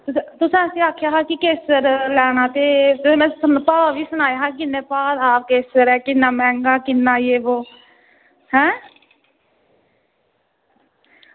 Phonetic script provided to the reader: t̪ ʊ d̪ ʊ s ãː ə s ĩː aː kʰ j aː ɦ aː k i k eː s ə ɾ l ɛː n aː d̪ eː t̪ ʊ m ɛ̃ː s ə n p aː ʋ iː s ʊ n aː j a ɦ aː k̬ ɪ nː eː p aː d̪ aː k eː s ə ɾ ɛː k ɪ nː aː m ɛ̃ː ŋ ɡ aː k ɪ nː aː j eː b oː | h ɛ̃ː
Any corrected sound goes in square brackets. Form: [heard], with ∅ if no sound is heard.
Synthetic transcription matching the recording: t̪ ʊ [t̪] ʊ s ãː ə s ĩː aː kʰ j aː ɦ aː k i k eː s ə ɾ l ɛː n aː [t̪] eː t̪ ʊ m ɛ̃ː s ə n p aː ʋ iː s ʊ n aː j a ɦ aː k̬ ɪ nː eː p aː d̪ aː k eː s ə ɾ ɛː k ɪ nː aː m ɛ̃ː ŋ ɡ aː k ɪ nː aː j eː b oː | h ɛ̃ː